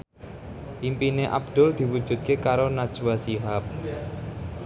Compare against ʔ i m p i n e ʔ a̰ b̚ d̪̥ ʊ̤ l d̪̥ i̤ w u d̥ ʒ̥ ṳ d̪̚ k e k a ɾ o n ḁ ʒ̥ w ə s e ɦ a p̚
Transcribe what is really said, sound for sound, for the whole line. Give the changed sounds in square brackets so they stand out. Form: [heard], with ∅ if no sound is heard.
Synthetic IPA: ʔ i m p i n e ʔ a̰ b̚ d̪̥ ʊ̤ l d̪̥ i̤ w u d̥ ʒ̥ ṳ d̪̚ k e k a ɾ o n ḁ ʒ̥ w [a] s [i] ɦ a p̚

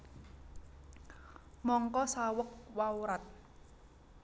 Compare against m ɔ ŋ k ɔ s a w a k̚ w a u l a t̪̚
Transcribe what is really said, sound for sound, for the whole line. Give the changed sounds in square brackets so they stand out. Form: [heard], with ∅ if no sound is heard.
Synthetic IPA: m ɔ ŋ k ɔ s a w [ə] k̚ w a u [ɾ] a t̪̚

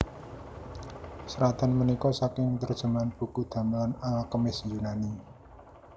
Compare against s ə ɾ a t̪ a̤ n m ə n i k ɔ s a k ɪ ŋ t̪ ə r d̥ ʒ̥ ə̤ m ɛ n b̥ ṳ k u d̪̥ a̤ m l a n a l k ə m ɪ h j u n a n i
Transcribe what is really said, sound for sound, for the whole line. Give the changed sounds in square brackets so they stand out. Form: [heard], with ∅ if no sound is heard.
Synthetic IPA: s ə ɾ a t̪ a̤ n m ə n i k ɔ s a k ɪ ŋ t̪ ə r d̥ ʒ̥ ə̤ m [a] n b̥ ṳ k u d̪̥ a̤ m l a n a l k ə m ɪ [s] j u n a n i

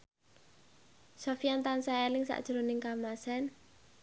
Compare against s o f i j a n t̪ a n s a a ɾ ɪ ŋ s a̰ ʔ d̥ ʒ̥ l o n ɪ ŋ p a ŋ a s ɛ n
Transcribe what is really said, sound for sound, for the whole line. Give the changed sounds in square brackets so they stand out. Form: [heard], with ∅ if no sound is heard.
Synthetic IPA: s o f i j a n t̪ a n s a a [l] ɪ ŋ s a̰ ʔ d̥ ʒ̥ [ɾ] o n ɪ ŋ [k] a [m] a s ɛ n

